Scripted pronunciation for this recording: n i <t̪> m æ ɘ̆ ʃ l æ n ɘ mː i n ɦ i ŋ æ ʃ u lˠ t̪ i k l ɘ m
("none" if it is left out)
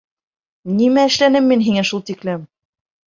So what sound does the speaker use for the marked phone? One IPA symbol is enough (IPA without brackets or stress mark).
none